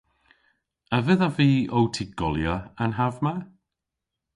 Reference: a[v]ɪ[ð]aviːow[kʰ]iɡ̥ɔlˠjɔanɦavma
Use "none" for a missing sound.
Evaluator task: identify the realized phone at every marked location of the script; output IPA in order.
v, ð, tʰ

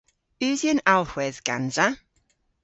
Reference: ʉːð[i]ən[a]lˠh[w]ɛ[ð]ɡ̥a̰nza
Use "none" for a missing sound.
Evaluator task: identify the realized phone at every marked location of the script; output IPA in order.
j, a, w, ð

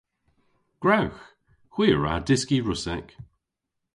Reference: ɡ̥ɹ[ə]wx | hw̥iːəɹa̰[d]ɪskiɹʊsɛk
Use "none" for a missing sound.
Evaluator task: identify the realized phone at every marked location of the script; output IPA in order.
a, d

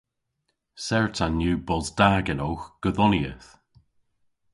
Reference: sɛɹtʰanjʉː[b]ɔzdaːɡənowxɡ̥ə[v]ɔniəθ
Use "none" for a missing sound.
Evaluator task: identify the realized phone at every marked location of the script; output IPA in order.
b, ð

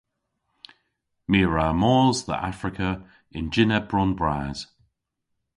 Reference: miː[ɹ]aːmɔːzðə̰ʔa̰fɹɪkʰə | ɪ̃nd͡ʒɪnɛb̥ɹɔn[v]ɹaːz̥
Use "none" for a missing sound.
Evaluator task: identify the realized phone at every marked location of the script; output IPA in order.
ɹ, b

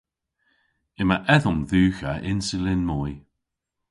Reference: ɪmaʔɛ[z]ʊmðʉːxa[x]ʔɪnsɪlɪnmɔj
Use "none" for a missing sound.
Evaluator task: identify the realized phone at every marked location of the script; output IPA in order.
ð, none

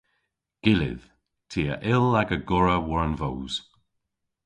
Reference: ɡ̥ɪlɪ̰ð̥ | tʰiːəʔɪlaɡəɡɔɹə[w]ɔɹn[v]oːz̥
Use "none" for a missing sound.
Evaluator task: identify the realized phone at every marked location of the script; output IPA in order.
w, v

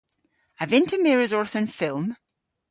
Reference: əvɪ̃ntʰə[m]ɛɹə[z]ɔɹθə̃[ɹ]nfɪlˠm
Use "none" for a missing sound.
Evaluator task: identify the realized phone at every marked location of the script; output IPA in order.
m, z, none

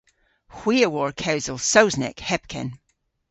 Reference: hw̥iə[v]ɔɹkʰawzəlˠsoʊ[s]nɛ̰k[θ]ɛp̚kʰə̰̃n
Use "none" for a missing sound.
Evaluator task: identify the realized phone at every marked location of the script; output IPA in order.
w, z, h

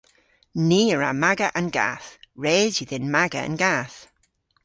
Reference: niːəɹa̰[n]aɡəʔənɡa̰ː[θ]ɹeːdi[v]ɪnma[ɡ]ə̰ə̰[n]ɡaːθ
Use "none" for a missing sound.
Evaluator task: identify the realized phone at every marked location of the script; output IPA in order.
m, θ, ð, ɡ, n

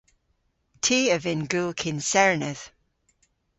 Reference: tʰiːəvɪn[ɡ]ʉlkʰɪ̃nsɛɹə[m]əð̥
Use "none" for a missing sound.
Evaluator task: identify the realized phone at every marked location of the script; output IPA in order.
ɡ, n

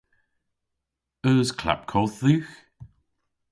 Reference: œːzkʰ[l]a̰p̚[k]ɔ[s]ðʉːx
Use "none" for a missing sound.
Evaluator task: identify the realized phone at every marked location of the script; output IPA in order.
l, kʰ, θ

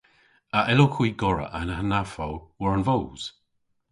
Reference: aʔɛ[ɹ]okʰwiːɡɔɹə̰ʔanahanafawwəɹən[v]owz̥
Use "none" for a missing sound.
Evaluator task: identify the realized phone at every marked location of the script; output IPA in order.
l, v

